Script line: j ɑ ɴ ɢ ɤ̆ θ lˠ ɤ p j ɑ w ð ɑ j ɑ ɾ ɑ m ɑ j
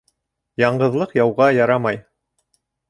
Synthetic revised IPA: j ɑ ɴ ɢ ɤ̆ ð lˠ ɤ q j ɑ w ʁ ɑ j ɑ ɾ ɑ m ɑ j